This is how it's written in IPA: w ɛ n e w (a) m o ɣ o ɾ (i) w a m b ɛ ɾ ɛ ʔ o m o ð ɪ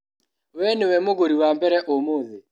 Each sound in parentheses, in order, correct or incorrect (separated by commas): incorrect, correct